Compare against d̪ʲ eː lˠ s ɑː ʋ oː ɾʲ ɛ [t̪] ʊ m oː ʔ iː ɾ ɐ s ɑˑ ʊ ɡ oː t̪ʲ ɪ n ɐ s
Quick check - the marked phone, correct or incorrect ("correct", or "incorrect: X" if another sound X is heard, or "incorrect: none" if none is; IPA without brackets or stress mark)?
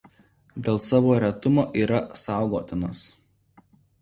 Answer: correct